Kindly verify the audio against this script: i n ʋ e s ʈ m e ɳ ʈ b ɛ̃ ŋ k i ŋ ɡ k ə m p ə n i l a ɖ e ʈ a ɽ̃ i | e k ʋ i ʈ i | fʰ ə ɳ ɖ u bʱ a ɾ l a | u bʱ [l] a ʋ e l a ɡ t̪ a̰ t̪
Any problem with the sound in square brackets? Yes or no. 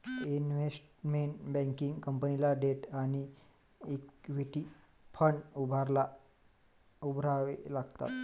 yes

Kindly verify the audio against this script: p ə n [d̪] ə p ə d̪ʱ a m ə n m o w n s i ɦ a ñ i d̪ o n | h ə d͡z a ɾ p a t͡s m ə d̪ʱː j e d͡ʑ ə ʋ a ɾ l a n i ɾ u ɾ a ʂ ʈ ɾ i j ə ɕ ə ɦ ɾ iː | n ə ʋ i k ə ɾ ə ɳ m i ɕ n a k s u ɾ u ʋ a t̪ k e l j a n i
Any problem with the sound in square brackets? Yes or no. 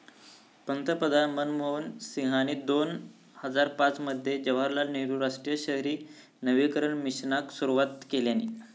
yes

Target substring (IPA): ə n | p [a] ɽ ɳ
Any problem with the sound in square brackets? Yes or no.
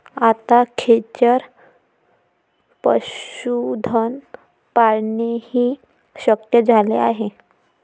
no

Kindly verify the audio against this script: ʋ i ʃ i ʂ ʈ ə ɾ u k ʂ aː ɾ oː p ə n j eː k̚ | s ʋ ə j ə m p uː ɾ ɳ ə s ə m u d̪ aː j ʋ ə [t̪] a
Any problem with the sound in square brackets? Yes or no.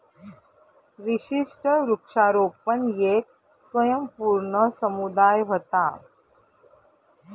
no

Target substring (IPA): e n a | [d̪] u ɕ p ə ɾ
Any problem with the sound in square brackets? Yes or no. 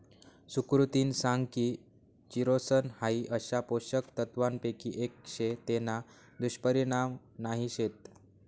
no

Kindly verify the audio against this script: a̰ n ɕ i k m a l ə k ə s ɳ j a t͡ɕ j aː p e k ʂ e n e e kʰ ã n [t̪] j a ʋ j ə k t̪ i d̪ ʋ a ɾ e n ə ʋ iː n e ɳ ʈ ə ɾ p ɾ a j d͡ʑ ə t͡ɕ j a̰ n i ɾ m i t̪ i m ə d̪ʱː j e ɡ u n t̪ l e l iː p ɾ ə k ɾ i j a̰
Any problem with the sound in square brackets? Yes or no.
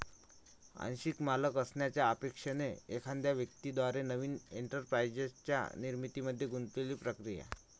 yes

